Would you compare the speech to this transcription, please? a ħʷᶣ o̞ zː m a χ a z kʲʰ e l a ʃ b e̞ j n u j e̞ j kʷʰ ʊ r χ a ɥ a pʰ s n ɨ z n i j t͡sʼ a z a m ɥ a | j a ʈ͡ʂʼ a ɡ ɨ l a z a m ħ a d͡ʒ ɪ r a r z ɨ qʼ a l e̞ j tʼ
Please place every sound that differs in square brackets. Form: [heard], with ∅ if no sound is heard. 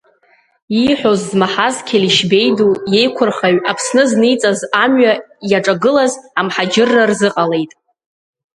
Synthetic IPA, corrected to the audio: [i] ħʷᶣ o̞ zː m a [ħ] a z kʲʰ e l [i] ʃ b e̞ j [d] u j e̞ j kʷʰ ʊ r χ a ɥ a pʰ s n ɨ z n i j t͡sʼ a z a m ɥ a | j a ʈ͡ʂʼ a ɡ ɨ l a z a m ħ a d͡ʒ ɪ [rː] a r z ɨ qʼ a l e̞ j tʼ